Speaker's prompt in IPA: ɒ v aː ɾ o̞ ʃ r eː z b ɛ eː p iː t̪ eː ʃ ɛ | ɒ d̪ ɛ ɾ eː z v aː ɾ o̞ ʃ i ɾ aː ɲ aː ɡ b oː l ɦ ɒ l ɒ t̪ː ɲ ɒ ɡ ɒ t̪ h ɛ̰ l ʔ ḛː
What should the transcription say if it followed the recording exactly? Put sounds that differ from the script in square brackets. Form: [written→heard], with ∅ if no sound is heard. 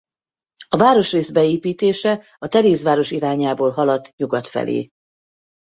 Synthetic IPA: ɒ v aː ɾ o̞ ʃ r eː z b ɛ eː p iː t̪ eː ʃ ɛ | ɒ [d̪→t̪] ɛ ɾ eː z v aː ɾ o̞ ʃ i ɾ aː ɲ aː [ɡ→∅] b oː l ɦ ɒ l ɒ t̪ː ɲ [ɒ→u] ɡ ɒ t̪ [h→f] ɛ̰ l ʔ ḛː